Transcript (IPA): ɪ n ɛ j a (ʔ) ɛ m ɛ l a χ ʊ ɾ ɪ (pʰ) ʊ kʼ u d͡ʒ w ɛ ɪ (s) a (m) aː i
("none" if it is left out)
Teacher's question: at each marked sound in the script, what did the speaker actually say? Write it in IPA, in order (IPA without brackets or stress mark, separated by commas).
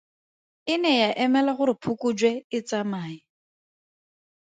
ʔ, pʰ, t͡s, m